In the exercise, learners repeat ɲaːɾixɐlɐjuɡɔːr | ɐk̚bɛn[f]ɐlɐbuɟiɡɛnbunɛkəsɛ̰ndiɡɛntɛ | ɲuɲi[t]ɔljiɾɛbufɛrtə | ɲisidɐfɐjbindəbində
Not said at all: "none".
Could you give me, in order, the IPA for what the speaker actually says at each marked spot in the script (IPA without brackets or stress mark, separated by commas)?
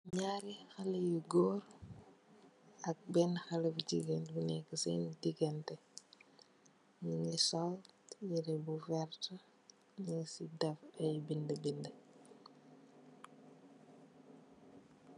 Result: x, s